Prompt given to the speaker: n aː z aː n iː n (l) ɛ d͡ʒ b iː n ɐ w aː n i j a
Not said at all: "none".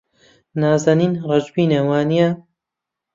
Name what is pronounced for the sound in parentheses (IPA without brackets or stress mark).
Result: r